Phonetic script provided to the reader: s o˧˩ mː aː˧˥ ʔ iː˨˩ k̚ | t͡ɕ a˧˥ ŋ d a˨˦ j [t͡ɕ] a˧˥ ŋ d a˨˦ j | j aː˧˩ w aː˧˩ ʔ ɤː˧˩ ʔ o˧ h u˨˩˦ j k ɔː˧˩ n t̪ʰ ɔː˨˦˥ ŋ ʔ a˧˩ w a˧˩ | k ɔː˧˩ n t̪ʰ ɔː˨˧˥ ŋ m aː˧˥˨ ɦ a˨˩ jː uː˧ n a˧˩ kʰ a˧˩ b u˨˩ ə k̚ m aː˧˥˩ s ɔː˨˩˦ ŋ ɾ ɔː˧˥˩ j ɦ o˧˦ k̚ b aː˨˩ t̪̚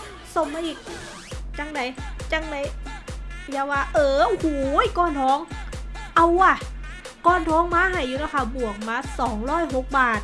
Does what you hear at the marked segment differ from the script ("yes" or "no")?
no